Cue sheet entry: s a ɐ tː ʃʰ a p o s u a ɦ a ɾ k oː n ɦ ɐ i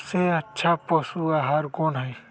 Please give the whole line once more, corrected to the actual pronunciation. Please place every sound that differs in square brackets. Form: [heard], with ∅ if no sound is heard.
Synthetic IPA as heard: s [e] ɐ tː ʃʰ a p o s u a ɦ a ɾ k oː n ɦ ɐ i